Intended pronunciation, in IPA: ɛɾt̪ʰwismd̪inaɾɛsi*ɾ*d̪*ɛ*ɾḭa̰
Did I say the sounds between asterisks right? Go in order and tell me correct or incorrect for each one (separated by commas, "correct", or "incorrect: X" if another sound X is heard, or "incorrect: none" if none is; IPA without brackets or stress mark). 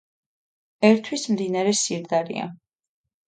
correct, incorrect: a